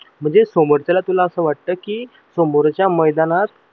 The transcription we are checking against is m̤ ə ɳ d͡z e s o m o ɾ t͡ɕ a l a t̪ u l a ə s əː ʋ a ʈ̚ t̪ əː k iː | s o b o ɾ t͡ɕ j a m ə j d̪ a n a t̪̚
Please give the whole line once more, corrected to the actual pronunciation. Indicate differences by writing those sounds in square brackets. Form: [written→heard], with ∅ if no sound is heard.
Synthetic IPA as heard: m̤ ə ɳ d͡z e s o m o ɾ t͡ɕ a l a t̪ u l a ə s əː ʋ a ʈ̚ t̪ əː k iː | s o [b→m] o ɾ t͡ɕ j a m ə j d̪ a n a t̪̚